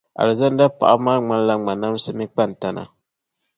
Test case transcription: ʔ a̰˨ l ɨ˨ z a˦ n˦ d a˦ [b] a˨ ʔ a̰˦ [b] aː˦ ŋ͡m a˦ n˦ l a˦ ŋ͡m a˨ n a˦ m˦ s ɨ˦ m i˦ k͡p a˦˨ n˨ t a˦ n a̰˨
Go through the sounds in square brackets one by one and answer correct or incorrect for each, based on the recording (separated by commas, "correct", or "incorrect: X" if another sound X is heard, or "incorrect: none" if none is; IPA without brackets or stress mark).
incorrect: p, incorrect: m